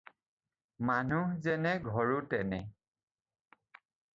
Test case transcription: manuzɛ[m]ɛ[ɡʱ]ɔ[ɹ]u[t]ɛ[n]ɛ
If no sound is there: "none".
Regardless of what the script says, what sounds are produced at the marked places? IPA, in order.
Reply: n, ɡʱ, ɹ, t, n

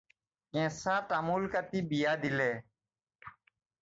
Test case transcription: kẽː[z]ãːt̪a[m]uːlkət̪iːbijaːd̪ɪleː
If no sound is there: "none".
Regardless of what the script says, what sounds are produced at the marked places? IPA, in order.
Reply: s, m

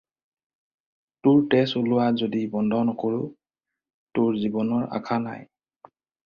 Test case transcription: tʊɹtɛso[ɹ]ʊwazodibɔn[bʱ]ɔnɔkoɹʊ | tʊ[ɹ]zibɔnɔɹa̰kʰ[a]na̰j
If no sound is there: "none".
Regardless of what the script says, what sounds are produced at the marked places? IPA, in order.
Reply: l, dʱ, ɹ, a

